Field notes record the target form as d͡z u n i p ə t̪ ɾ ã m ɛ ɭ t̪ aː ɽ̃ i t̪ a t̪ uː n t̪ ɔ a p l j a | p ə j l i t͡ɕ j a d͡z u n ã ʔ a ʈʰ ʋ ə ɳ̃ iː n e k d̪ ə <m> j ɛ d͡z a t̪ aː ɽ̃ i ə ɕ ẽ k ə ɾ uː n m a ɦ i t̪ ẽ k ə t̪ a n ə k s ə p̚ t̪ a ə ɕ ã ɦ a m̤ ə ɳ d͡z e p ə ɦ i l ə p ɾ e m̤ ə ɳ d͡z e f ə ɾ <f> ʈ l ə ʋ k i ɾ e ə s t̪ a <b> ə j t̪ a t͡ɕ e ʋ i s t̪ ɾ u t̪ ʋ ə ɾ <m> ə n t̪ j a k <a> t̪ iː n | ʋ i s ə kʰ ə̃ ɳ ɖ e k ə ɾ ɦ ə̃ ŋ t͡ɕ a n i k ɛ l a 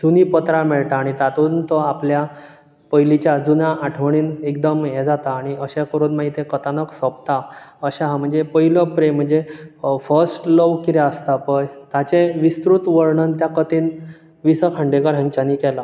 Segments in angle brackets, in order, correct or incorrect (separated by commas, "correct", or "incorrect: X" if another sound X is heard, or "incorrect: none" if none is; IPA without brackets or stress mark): correct, incorrect: s, incorrect: p, incorrect: ɳ, incorrect: ə